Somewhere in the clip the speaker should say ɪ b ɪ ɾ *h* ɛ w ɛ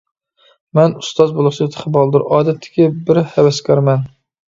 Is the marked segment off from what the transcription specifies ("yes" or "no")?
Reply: no